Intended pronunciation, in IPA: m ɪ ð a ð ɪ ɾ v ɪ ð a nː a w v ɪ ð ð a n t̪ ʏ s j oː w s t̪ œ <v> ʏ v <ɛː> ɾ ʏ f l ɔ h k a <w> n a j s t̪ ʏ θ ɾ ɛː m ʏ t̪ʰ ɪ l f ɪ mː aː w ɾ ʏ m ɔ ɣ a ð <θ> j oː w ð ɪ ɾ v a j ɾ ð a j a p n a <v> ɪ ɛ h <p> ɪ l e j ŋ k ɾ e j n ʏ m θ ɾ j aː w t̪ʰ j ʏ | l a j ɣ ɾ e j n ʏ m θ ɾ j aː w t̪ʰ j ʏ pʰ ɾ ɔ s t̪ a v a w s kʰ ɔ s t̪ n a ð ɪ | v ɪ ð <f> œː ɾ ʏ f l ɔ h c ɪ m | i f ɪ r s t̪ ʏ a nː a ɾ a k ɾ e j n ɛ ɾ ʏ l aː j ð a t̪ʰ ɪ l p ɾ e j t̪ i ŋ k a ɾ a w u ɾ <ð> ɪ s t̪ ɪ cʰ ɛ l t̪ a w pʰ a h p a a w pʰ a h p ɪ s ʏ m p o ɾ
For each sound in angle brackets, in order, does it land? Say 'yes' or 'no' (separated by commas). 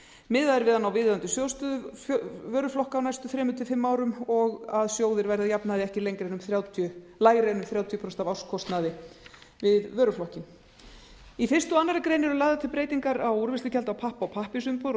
no, no, yes, no, no, no, no, no